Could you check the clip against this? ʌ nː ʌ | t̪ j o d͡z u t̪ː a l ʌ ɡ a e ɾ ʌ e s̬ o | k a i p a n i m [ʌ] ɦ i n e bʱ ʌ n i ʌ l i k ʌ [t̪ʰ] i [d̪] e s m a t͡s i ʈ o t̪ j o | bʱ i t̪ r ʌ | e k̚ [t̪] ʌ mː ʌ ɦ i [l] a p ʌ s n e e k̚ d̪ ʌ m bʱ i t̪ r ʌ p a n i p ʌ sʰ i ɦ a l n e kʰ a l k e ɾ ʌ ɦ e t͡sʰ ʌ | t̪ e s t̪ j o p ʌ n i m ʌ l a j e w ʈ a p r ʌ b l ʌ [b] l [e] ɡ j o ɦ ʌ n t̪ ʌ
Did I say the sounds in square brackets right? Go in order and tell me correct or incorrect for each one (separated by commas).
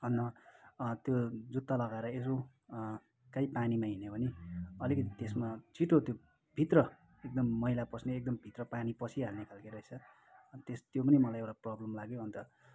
incorrect, incorrect, incorrect, incorrect, correct, incorrect, incorrect